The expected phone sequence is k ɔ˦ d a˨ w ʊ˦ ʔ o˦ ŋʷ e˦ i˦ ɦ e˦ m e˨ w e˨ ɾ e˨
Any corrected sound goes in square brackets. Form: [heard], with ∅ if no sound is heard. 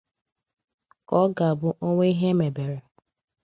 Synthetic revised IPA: k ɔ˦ [ɡ] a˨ [b] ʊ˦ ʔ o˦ ŋʷ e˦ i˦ ɦ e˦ m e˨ [b] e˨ ɾ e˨